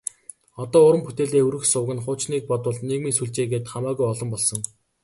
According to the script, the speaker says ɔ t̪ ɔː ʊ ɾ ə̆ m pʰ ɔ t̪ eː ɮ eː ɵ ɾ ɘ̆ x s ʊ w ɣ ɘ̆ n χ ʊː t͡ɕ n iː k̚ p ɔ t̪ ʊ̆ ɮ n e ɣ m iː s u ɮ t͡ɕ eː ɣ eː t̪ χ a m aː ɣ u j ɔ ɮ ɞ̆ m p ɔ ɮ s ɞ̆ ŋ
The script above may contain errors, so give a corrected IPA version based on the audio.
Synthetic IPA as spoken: ɔ t̪ ɔː ʊ ɾ ə̆ m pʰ u t̪ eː ɮ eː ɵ ɾ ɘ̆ x s ʊ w ɣ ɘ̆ n χ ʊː t͡ɕ n iː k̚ p ɔ t̪ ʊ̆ ɮ n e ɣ m iː s u ɮ t͡ɕ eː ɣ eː t̪ χ a m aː ɣ u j ɔ ɮ ɞ̆ m p ɔ ɮ s ɞ̆ ŋ